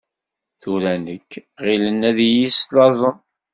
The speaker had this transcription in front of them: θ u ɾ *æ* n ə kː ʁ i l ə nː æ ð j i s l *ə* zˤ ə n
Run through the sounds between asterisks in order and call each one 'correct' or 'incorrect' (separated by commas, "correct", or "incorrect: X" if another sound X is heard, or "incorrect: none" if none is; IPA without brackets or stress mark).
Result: correct, incorrect: ɑ